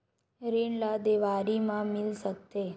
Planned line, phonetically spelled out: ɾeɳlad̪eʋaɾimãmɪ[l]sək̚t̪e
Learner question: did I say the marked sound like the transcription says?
yes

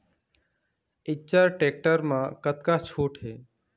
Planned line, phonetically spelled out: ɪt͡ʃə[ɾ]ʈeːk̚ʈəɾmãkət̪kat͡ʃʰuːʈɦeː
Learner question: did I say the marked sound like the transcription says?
yes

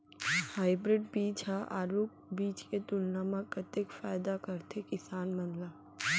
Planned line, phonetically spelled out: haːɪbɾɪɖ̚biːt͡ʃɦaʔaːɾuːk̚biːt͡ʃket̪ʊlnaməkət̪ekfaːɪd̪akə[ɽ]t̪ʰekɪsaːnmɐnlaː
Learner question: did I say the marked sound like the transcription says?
no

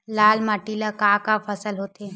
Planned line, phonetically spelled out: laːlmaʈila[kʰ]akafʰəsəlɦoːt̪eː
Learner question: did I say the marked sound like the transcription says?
no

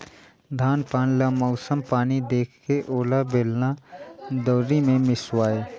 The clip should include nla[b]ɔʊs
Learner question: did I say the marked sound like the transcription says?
no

